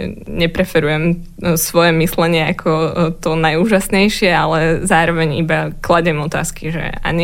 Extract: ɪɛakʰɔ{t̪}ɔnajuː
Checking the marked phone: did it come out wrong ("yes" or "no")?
no